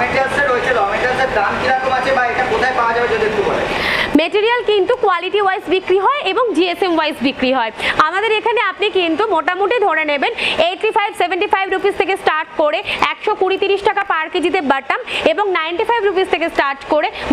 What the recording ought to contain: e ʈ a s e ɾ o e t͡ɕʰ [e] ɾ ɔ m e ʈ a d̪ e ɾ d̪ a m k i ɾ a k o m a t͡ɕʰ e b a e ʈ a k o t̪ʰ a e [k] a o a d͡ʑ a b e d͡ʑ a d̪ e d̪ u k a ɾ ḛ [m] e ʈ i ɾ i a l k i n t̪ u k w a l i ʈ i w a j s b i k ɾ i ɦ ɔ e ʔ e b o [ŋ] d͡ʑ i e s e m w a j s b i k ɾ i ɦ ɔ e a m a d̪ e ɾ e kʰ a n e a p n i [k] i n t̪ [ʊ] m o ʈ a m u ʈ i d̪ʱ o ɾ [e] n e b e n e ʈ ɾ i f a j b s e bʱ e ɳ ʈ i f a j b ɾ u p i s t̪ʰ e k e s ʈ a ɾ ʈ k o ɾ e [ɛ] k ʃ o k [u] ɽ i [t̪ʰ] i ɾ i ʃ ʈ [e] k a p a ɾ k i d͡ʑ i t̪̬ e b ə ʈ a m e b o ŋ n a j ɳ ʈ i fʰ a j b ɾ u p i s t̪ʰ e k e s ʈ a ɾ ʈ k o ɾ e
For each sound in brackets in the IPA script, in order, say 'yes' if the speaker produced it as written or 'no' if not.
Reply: yes, no, yes, yes, yes, no, yes, yes, yes, no, no

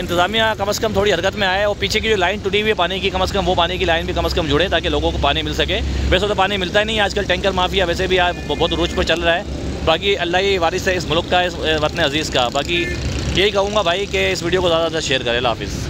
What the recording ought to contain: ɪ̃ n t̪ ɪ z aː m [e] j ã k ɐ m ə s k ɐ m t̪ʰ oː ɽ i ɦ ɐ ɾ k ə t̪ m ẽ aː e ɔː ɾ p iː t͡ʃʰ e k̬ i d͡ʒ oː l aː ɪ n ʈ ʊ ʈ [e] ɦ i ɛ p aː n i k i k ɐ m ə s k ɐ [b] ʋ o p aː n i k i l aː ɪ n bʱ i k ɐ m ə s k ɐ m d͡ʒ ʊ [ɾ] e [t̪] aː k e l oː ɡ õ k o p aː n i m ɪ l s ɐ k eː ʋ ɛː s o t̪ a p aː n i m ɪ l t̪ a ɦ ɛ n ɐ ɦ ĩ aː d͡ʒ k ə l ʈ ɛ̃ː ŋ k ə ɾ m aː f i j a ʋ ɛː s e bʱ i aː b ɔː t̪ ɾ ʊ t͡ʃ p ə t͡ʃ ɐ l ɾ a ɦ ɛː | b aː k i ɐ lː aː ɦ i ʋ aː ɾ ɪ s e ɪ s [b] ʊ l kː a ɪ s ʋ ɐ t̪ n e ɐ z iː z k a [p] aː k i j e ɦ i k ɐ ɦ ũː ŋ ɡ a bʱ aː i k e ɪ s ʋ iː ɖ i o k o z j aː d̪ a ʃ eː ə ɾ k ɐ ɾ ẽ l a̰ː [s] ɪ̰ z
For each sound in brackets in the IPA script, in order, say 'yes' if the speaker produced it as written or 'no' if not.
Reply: no, no, no, no, yes, no, no, no

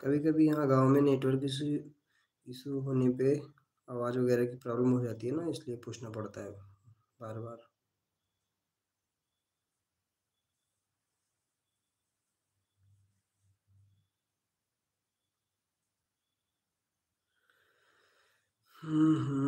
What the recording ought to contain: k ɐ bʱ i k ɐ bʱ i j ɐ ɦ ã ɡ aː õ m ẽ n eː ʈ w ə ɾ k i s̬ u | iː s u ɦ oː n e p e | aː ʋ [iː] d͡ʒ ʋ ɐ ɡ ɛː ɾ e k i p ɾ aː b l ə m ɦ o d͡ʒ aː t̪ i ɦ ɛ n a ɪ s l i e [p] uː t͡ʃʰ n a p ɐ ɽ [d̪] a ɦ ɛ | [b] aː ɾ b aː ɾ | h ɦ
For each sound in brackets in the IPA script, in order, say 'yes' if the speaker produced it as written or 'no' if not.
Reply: no, yes, no, yes

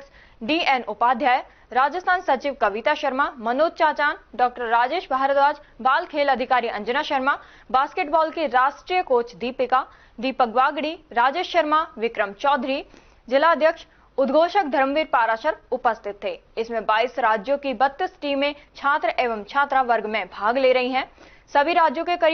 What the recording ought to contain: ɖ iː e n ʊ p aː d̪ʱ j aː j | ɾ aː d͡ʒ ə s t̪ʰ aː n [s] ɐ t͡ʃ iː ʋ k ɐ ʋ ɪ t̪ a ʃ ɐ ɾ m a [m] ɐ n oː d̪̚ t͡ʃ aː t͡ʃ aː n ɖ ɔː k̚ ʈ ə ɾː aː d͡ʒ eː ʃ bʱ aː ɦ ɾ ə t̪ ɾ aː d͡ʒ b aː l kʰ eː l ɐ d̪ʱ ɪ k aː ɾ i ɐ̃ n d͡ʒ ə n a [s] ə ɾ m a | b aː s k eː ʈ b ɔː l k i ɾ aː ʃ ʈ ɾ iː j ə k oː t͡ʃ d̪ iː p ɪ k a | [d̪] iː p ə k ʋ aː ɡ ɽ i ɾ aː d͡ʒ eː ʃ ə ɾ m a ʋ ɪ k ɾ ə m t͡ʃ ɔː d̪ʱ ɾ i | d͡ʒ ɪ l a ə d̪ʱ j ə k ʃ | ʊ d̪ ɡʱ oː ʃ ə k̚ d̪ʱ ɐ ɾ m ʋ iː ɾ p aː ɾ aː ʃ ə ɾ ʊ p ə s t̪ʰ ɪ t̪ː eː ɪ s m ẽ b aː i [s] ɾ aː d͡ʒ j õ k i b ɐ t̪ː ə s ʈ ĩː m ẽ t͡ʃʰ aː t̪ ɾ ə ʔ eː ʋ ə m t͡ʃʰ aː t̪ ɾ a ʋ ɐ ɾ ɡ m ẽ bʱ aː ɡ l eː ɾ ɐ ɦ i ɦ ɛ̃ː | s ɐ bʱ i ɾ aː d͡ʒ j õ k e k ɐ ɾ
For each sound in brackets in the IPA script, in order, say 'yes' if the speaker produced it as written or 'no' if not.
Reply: yes, yes, no, yes, yes

